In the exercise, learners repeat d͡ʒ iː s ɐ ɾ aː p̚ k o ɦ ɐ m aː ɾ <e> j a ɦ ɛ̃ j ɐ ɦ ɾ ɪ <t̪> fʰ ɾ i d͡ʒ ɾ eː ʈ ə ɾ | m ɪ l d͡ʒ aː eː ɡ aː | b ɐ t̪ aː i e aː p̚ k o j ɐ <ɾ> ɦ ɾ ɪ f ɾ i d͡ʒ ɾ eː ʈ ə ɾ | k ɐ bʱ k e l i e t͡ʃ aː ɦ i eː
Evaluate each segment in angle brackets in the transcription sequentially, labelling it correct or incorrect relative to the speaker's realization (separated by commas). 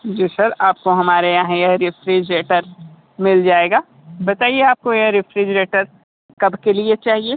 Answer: correct, incorrect, incorrect